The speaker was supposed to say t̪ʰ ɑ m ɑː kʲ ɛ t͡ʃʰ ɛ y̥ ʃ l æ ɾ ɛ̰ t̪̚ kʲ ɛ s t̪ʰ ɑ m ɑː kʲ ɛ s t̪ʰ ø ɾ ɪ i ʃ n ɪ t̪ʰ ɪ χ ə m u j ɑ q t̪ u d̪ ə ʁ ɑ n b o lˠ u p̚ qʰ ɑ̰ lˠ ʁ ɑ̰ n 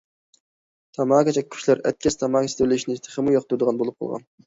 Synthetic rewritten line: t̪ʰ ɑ m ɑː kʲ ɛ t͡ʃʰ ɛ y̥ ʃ l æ ɾ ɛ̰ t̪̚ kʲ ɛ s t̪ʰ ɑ m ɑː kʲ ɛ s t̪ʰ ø l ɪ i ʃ n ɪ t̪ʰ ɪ χ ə m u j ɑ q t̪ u d̪ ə ʁ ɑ n b o lˠ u p̚ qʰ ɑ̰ lˠ ʁ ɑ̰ n